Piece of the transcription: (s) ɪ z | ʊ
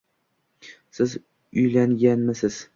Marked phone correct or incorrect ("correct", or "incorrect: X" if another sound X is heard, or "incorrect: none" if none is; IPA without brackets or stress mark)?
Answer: correct